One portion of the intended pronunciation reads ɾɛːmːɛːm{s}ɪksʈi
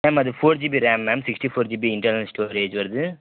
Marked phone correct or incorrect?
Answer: correct